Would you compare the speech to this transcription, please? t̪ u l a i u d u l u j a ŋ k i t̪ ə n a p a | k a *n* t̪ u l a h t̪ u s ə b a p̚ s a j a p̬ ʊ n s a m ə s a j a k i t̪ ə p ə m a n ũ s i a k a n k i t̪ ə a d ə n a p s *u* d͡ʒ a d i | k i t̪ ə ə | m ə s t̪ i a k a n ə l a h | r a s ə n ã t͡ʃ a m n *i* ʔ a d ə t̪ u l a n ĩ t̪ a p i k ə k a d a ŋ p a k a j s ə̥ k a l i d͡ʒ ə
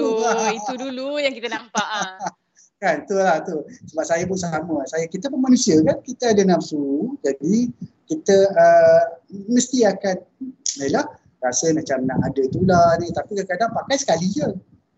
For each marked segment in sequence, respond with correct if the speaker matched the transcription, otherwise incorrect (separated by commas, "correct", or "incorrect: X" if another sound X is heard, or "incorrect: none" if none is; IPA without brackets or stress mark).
correct, correct, incorrect: a